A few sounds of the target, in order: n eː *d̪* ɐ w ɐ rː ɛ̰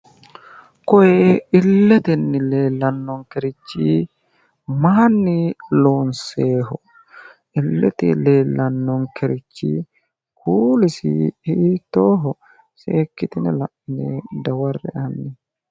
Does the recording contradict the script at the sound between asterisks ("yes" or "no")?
no